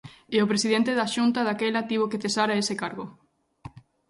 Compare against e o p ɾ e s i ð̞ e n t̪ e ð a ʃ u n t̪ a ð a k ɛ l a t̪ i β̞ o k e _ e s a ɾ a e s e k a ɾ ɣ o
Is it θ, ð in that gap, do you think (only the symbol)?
θ